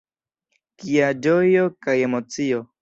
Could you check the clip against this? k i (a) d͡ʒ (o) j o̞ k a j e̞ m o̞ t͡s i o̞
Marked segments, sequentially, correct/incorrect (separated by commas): correct, correct